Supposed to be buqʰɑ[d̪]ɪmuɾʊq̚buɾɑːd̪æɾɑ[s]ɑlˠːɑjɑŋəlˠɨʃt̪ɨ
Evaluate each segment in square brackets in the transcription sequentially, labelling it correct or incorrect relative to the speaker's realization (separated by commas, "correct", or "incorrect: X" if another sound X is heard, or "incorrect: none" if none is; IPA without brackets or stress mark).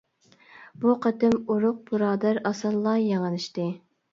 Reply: incorrect: t̪, correct